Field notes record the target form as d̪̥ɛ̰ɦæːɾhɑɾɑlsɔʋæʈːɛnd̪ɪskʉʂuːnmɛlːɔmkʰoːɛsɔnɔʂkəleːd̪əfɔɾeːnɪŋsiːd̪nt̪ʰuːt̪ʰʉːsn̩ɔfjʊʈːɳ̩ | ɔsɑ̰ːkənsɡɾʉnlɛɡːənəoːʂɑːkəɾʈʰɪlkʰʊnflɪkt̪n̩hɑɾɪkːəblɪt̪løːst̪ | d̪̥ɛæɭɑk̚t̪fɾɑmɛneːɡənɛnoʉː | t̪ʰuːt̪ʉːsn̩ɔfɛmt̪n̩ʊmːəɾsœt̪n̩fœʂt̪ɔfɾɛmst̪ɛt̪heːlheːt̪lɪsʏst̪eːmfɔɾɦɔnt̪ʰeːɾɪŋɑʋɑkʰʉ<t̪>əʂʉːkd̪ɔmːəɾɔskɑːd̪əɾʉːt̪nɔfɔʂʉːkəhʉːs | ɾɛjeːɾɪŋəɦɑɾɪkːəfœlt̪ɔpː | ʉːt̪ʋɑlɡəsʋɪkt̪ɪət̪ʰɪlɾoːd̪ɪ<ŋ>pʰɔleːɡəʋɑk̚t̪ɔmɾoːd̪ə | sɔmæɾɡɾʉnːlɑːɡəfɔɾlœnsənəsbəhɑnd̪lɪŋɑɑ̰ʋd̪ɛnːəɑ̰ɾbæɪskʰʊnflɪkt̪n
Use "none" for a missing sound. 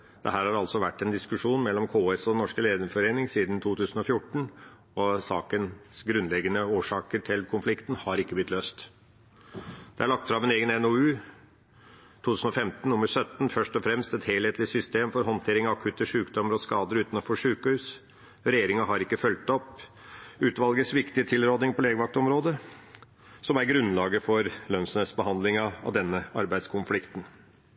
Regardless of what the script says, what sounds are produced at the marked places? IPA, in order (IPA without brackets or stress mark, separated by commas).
t̪, ŋ